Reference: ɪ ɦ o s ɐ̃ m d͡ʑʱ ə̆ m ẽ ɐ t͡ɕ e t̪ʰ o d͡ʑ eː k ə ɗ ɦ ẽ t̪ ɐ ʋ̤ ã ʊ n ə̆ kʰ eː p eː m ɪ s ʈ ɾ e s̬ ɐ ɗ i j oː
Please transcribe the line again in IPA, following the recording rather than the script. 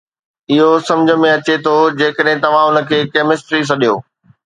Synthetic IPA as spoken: ɪ ɦ o s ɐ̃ m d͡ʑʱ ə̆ m ẽ ɐ t͡ɕ e t̪ʰ o d͡ʑ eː k ə ɗ ɦ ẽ t̪ ɐ ʋ̤ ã ʊ n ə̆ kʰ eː k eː m ɪ s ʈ ɾ i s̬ ɐ ɗ i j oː